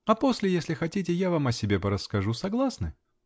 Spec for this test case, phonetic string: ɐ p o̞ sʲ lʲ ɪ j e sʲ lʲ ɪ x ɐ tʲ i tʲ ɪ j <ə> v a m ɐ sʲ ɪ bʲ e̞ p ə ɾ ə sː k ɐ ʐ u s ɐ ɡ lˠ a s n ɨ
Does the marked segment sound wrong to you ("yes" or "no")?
yes